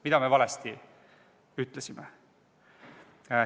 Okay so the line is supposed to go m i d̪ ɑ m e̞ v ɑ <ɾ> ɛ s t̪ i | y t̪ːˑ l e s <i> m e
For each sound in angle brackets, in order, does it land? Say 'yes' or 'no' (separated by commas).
no, yes